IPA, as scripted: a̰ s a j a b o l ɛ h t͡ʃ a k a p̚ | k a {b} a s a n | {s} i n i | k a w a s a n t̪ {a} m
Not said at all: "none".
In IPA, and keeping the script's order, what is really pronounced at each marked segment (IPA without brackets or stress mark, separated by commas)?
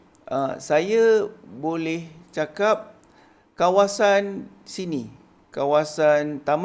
w, s, a